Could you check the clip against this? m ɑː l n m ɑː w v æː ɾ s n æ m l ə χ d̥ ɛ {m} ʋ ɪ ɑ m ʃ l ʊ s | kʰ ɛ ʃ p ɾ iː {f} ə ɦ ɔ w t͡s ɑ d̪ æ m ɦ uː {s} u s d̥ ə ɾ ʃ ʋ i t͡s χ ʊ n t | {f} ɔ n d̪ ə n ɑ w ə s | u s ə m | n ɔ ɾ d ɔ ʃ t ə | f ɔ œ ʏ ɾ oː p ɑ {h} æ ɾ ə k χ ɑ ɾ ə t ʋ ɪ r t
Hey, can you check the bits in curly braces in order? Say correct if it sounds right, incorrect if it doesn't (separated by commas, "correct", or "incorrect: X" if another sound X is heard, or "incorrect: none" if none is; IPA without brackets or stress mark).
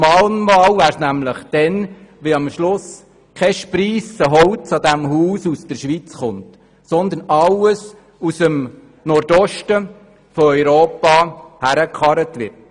incorrect: n, incorrect: s, correct, incorrect: s, correct